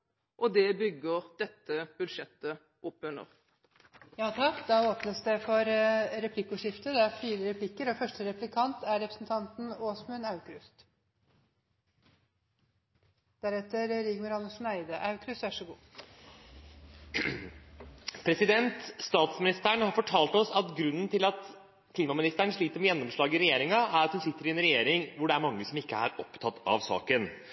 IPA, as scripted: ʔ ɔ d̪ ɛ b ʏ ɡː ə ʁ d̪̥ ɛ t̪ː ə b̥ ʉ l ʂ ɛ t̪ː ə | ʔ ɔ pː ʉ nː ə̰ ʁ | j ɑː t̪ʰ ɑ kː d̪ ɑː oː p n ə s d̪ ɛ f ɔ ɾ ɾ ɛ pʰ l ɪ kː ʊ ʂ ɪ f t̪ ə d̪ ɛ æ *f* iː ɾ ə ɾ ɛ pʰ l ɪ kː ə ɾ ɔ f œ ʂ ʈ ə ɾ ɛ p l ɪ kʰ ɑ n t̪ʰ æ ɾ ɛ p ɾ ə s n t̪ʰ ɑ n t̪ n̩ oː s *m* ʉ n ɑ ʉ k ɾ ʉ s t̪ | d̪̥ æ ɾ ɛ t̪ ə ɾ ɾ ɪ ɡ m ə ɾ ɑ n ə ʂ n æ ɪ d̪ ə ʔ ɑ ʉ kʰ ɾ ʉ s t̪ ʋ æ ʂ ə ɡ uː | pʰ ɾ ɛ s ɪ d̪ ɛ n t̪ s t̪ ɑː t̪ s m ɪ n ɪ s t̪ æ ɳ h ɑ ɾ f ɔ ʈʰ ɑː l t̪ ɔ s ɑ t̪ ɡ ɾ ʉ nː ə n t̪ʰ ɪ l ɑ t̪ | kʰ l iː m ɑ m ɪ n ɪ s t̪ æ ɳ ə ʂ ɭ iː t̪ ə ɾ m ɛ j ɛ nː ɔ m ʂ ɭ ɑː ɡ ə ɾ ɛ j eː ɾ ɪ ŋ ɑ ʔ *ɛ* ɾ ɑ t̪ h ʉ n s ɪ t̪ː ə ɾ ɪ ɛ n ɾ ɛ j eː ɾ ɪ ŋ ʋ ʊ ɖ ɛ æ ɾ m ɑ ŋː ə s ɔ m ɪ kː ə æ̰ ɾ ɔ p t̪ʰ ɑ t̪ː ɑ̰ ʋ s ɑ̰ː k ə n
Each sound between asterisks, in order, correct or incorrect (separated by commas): correct, correct, incorrect